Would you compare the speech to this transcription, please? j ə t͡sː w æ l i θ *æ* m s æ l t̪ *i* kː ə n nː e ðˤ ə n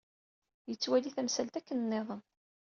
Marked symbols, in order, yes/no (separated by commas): yes, no